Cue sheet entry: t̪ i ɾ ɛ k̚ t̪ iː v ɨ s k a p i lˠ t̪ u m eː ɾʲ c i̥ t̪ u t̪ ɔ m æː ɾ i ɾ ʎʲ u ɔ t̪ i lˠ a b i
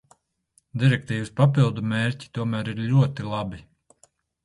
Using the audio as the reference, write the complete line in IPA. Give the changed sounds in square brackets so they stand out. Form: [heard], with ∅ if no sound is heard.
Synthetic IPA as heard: [d̪] i ɾ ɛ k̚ t̪ iː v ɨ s [p] a p i lˠ [d̪] u m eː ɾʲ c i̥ t̪ u [∅] ɔ m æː ɾ i ɾ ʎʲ u ɔ t̪ i lˠ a b i